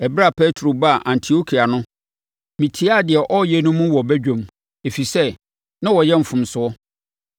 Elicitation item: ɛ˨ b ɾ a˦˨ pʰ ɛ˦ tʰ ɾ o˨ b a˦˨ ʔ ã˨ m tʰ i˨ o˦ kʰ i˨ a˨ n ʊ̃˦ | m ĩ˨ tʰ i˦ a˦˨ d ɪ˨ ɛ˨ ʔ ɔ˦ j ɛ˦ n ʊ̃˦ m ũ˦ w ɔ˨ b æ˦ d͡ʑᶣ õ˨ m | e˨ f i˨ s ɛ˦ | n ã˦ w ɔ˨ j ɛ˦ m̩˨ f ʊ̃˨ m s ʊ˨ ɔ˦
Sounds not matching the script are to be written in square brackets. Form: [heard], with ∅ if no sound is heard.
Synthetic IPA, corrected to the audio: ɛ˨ b ɾ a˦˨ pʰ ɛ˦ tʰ ɾ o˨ b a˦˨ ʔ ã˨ [n] tʰ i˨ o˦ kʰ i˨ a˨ n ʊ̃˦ | m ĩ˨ tʰ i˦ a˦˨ d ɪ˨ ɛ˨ ʔ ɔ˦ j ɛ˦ n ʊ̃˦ m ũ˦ w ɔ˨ b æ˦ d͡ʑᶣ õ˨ m | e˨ f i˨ s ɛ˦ | n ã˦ w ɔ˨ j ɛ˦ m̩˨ f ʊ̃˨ m s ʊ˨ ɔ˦